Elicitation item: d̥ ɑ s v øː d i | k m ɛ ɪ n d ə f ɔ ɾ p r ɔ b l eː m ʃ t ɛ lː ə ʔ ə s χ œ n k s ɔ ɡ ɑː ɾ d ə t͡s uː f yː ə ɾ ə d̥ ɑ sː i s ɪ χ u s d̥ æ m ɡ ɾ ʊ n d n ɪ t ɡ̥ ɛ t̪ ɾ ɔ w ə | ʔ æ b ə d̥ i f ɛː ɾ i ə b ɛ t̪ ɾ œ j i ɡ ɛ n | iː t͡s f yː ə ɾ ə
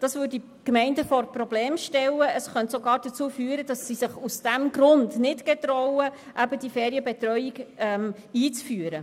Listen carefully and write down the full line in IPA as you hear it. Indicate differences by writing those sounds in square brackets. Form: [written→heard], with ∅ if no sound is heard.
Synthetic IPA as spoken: d̥ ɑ s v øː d i | k m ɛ ɪ n d ə f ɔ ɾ p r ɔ b l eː m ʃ t ɛ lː ə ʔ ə s χ œ n [k→t] s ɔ ɡ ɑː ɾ d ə t͡s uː f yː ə ɾ ə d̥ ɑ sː i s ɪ χ u s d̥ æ m ɡ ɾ ʊ n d n ɪ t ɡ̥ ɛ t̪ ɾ ɔ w ə | ʔ æ b ə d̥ i f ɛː ɾ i ə b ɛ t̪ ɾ œ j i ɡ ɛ [n→m] | iː t͡s f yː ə ɾ ə